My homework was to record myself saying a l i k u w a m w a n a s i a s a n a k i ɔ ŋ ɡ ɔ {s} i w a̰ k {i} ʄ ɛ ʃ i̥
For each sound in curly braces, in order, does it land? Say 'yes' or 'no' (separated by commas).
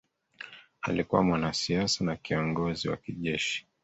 no, yes